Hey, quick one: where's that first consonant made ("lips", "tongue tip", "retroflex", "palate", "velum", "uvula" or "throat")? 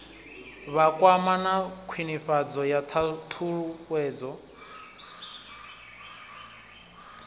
lips